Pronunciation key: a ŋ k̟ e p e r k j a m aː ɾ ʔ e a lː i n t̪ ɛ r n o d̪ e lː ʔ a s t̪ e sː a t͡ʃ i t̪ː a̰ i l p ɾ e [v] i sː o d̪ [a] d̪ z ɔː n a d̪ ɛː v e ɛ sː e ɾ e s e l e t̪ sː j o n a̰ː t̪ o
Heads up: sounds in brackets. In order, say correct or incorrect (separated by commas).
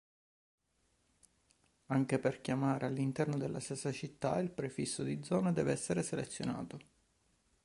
incorrect, incorrect